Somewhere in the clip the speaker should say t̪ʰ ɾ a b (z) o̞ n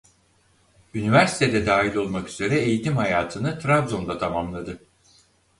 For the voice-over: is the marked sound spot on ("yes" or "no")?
yes